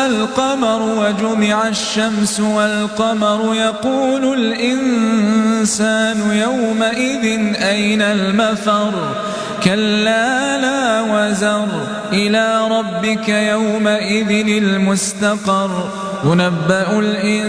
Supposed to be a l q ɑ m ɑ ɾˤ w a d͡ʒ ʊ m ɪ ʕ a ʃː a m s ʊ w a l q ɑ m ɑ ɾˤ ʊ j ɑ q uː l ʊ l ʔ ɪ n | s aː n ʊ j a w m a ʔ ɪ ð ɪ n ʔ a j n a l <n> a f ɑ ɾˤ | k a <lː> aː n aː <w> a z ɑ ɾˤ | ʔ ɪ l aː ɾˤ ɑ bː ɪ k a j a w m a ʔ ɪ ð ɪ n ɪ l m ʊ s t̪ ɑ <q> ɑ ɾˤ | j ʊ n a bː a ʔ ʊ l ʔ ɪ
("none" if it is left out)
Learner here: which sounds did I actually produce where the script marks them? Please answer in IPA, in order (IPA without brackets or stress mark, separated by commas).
m, lː, w, q